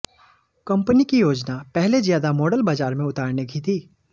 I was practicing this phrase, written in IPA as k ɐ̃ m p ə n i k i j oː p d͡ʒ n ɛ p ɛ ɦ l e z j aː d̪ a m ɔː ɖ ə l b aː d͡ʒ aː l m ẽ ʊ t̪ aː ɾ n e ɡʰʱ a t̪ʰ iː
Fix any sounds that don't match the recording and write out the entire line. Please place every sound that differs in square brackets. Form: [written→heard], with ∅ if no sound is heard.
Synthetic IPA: k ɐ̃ m p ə n i k i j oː [p→∅] d͡ʒ n [ɛ→a] p ɛ ɦ l e z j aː d̪ a m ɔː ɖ ə l b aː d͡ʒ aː [l→ɾ] m ẽ ʊ t̪ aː ɾ n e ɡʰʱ [a→i] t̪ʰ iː